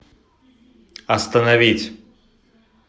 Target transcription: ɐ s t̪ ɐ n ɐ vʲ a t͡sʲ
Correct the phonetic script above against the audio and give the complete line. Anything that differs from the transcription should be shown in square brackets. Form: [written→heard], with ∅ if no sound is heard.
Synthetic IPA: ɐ s t̪ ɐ n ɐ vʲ [a→i] t͡sʲ